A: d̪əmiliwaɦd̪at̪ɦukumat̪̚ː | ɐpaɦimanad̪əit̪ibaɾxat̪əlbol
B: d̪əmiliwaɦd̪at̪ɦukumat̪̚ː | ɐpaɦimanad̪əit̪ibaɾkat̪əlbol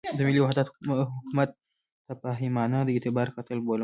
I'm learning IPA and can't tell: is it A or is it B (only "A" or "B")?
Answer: B